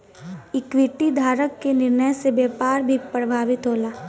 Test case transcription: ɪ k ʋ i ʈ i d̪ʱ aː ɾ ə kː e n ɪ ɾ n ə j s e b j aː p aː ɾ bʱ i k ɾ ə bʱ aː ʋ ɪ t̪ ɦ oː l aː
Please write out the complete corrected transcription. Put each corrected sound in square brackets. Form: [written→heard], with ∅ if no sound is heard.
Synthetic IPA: ɪ k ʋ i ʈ i d̪ʱ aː ɾ ə kː e n ɪ ɾ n ə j s e b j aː p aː ɾ bʱ i [k→p] ɾ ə bʱ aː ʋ ɪ t̪ ɦ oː l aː